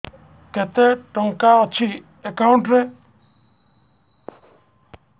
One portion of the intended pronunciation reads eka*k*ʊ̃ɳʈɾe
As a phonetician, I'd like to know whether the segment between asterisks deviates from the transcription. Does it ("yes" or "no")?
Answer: yes